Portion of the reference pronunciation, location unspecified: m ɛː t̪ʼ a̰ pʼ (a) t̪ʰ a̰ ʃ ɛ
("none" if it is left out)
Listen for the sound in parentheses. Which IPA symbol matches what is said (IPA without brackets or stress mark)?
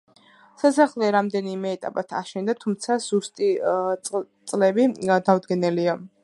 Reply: a